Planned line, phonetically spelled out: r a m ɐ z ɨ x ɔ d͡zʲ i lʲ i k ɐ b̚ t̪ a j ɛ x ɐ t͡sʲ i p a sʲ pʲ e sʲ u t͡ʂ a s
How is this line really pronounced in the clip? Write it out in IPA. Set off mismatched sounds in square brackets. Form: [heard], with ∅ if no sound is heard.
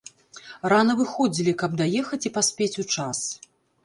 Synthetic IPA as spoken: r a [n] ɐ [v] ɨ x ɔ d͡zʲ i lʲ i k ɐ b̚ [d̪] a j ɛ x ɐ t͡sʲ i p a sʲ pʲ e [t͡sʲ] u t͡ʂ a s